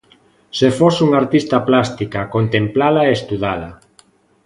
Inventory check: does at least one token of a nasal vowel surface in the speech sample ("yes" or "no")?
no